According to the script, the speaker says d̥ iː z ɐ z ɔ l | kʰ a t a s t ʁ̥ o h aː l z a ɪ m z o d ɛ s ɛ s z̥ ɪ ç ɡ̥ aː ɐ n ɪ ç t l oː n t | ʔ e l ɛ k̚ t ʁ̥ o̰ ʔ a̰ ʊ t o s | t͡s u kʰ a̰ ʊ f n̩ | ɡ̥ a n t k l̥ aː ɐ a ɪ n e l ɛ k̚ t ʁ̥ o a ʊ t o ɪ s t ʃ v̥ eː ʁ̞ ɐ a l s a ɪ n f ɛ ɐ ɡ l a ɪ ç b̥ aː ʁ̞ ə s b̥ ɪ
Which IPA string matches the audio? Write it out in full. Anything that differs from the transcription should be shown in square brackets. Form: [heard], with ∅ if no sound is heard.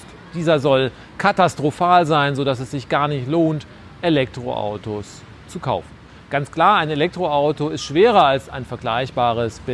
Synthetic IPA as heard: d̥ iː z ɐ z ɔ l | kʰ a t a s t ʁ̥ o [f] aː l z a ɪ [n] z o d [a] s ɛ s z̥ ɪ ç ɡ̥ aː ɐ n ɪ ç t l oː n t | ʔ e l ɛ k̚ t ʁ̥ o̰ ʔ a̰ ʊ t o s | t͡s u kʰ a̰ ʊ f n̩ | ɡ̥ a n [t͡s] k l̥ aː ɐ a ɪ n e l ɛ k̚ t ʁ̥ o a ʊ t o ɪ s t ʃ v̥ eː ʁ̞ ɐ a l s a ɪ n f ɛ ɐ ɡ l a ɪ ç b̥ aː ʁ̞ ə s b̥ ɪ